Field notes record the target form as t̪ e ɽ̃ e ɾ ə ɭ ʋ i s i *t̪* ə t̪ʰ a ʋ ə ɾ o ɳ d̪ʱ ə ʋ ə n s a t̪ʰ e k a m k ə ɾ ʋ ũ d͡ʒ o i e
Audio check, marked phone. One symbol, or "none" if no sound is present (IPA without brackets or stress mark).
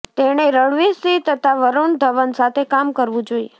t̪